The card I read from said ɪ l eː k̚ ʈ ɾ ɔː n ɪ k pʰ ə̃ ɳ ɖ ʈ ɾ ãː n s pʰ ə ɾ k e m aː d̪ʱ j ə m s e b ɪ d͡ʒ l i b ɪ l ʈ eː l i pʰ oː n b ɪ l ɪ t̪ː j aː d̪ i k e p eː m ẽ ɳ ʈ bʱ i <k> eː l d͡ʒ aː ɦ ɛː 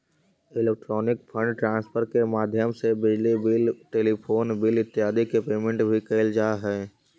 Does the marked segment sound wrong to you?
no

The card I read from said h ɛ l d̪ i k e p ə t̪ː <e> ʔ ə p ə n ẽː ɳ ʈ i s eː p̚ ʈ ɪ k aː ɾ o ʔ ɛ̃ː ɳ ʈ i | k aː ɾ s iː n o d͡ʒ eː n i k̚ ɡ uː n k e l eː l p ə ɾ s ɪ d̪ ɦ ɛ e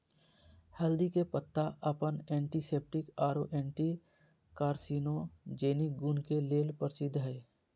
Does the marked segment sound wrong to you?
yes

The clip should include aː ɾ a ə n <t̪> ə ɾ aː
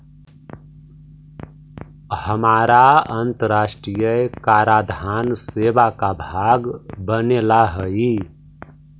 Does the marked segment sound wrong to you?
no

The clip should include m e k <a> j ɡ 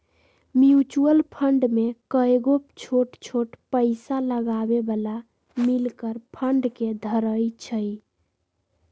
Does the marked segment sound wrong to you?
yes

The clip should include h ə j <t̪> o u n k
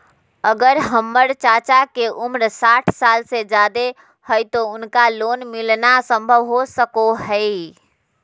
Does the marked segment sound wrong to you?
no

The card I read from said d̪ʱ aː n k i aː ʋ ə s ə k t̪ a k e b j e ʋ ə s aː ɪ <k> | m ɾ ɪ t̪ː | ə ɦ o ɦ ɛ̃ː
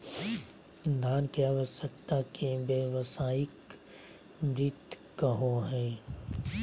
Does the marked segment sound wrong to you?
no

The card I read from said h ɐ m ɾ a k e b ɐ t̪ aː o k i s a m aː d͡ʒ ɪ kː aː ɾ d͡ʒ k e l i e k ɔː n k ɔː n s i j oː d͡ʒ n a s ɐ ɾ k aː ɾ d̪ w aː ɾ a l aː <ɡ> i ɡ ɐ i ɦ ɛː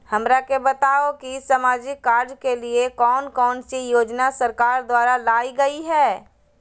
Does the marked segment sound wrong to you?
yes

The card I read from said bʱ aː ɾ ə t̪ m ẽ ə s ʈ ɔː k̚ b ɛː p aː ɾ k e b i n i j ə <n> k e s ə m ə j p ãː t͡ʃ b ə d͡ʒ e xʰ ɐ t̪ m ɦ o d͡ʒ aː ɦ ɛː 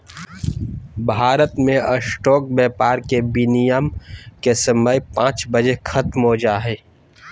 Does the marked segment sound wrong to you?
yes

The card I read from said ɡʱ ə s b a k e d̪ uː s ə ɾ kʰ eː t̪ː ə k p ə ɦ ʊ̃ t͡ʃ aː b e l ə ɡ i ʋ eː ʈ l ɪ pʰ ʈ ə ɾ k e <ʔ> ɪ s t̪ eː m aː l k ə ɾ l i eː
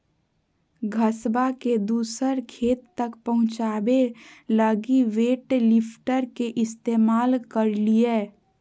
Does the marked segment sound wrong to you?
no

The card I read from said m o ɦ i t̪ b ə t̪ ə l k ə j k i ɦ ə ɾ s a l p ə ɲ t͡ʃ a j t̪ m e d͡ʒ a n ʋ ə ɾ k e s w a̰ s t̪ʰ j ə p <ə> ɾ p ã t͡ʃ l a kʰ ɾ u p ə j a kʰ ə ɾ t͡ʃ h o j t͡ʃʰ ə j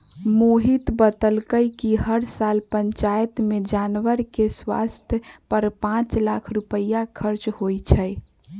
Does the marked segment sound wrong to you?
no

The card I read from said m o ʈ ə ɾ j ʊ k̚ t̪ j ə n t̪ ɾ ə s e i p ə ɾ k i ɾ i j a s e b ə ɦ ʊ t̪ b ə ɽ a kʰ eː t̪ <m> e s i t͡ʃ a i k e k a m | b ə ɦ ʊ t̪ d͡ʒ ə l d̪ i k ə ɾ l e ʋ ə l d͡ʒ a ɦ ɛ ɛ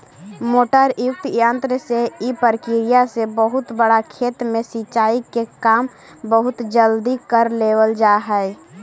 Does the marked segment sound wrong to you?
no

